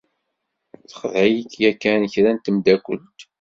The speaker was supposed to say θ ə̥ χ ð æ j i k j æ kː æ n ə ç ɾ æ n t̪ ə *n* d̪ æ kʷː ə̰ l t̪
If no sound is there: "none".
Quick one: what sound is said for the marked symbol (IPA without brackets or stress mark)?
m